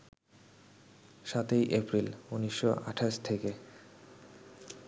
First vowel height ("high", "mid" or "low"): low